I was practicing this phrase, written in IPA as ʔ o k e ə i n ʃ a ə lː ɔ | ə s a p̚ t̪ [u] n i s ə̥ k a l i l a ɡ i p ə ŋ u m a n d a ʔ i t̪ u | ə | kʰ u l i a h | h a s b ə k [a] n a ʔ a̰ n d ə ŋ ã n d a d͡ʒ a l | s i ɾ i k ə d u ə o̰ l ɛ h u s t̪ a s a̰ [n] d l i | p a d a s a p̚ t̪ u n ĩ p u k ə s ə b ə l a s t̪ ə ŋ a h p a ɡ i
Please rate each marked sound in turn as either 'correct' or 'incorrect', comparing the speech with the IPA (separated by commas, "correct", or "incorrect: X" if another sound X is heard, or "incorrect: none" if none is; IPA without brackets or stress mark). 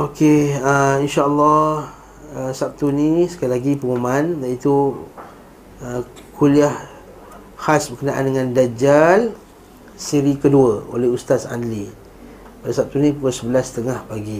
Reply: correct, incorrect: ə, correct